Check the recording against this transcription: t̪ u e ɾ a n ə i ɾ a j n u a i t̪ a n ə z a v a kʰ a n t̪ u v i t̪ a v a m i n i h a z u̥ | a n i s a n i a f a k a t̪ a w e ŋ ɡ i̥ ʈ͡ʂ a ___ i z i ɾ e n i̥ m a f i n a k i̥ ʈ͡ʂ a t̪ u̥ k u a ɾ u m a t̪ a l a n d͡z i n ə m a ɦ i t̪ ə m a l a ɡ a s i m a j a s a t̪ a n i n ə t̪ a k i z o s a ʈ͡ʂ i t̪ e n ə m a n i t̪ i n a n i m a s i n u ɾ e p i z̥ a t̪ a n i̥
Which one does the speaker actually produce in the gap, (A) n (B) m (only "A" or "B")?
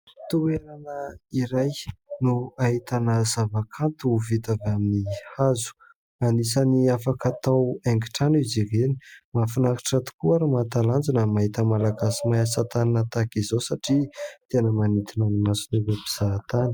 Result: A